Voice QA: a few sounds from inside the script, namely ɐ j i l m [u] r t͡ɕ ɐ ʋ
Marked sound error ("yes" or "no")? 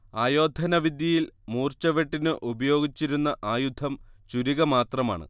yes